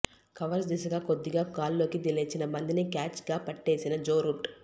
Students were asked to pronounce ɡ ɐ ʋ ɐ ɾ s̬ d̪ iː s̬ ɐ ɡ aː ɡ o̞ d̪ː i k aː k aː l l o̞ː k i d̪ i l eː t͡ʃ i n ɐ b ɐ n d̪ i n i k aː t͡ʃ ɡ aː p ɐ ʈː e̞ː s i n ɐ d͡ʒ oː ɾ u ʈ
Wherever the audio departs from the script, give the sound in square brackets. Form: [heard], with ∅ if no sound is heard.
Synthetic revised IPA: [k] ɐ ʋ ɐ ɾ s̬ d̪ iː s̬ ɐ ɡ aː [k] o̞ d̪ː i [ɡ] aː k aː l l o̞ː k i d̪ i l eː t͡ʃ i n ɐ b ɐ n d̪ i n i k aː t͡ʃ ɡ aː p ɐ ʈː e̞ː s i n ɐ d͡ʒ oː ɾ u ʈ